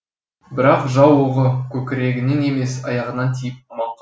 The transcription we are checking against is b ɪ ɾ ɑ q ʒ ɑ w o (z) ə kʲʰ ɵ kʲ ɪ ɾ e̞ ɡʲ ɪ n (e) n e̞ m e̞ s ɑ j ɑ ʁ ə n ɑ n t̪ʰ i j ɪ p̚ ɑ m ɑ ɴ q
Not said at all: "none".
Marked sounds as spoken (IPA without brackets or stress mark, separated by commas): ʁ, e